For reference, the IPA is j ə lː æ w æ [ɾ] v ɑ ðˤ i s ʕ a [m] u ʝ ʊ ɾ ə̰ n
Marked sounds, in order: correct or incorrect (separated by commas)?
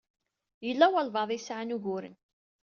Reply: incorrect, incorrect